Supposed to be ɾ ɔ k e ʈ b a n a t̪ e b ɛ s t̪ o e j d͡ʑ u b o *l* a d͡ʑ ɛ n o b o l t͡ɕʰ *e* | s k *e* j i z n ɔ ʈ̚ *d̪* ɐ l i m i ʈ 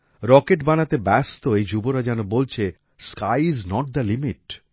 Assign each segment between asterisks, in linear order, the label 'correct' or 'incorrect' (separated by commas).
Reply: incorrect, correct, incorrect, correct